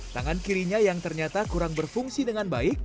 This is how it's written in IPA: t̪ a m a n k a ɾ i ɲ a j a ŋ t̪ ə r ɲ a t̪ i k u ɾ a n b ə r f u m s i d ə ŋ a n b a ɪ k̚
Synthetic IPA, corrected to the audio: t̪ a ŋ a n k i ɾ i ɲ a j a ŋ t̪ ə r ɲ a t̪ a k u ɾ a ŋ b ə r f u ŋ s i d ə ŋ a n b a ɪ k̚